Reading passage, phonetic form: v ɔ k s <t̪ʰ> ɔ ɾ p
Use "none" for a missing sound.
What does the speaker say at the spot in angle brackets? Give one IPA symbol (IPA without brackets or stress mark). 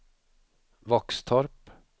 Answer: t̪ʰ